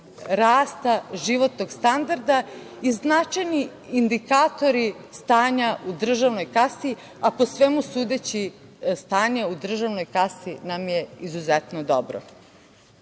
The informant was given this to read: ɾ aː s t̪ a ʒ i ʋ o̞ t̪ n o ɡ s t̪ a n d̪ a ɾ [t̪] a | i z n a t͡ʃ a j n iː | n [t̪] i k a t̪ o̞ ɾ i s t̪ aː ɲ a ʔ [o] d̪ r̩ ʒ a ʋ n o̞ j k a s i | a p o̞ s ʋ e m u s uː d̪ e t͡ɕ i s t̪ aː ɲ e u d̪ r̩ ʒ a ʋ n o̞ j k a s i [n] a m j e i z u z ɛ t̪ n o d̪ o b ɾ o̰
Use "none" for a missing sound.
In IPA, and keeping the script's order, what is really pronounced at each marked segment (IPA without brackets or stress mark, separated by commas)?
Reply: d̪, d̪, u, n